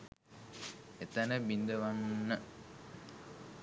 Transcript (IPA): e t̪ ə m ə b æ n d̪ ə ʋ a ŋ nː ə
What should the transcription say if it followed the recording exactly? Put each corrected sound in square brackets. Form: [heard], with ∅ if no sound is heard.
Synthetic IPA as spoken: e t̪ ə [n] ə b [i] n d̪ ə ʋ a [n] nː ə